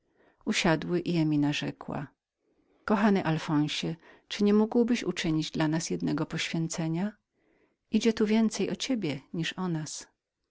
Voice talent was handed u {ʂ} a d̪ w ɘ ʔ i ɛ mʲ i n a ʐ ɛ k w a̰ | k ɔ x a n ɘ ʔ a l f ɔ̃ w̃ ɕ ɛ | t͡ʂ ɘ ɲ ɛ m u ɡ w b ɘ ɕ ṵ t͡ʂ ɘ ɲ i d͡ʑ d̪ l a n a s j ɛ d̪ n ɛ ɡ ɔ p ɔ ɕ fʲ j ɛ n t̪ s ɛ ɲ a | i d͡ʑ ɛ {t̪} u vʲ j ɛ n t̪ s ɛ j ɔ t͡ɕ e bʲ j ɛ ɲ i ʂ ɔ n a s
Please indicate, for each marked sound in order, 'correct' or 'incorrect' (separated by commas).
incorrect, correct